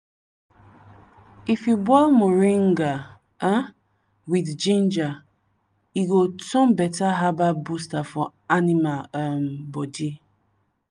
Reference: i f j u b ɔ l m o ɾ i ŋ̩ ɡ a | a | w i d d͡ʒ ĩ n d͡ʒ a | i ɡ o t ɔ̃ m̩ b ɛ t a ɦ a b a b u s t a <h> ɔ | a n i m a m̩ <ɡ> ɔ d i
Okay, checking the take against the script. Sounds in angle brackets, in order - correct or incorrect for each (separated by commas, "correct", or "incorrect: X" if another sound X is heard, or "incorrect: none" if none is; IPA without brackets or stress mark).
incorrect: f, incorrect: b